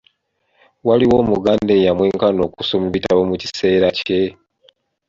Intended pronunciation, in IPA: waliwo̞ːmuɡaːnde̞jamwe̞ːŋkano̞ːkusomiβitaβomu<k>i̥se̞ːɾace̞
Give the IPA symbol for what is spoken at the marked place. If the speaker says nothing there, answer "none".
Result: c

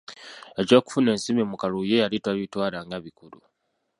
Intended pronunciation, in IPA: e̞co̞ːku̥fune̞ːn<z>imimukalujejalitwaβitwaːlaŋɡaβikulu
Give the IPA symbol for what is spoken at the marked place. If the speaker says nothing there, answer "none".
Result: s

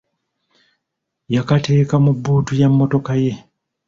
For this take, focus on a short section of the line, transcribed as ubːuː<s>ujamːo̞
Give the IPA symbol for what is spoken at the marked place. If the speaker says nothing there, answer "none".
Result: t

